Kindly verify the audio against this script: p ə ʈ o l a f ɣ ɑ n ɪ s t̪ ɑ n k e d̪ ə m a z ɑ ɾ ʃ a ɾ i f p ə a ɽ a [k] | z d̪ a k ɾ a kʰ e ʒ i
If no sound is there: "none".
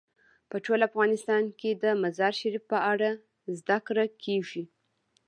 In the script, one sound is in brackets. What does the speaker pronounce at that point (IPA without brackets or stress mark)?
none